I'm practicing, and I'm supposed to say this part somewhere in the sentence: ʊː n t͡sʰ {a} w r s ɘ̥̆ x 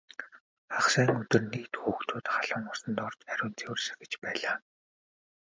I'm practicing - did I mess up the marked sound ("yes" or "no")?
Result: yes